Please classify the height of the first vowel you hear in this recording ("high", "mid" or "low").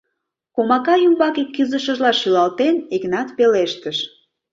mid